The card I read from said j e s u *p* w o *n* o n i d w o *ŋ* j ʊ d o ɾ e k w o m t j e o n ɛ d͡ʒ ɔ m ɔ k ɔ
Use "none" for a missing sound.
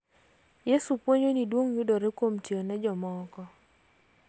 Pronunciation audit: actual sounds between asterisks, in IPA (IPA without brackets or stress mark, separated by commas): p, ɲ, ŋ